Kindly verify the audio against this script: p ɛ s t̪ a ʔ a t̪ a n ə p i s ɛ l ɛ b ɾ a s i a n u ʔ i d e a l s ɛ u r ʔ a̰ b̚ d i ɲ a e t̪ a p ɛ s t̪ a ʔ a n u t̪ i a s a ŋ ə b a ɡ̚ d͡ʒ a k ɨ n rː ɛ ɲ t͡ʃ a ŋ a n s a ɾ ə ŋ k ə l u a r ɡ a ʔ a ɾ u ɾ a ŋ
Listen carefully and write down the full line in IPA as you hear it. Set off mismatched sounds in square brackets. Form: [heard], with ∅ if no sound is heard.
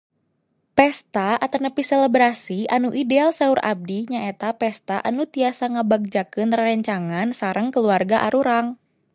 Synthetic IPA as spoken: p ɛ s t̪ a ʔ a t̪ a n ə p i s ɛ l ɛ b ɾ a s i a n u ʔ i d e a l s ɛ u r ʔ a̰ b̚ d i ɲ a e t̪ a p ɛ s t̪ a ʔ a n u t̪ i a s a ŋ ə b a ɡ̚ d͡ʒ a k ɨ n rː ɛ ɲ t͡ʃ a ŋ a n s a ɾ ə ŋ k ə l u a r ɡ a ʔ a ɾ u ɾ a ŋ